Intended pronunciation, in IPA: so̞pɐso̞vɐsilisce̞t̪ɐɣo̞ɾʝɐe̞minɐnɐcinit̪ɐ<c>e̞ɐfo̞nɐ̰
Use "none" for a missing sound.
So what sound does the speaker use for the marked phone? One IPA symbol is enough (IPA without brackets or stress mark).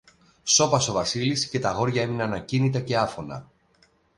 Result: c